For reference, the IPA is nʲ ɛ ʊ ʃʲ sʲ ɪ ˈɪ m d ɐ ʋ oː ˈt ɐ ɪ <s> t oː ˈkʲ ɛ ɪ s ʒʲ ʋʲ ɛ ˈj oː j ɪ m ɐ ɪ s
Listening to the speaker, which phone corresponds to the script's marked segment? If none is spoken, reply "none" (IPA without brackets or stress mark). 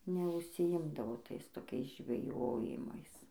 s